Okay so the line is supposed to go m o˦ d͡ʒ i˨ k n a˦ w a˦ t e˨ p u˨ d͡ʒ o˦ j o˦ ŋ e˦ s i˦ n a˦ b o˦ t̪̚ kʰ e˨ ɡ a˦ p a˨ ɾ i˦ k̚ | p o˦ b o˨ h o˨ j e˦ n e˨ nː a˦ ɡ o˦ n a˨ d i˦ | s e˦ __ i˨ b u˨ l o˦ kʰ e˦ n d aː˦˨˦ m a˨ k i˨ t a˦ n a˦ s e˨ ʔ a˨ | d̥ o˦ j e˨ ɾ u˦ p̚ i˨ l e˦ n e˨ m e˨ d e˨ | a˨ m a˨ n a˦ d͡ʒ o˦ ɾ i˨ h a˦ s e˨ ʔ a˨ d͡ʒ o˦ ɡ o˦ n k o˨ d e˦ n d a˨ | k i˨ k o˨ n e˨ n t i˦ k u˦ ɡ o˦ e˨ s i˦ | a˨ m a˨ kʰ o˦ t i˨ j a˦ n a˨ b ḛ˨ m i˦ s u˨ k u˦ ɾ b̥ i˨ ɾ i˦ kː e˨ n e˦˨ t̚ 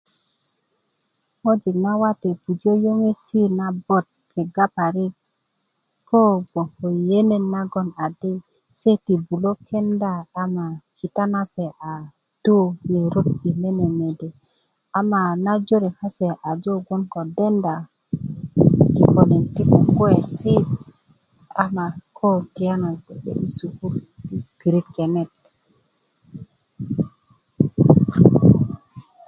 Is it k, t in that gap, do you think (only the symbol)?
t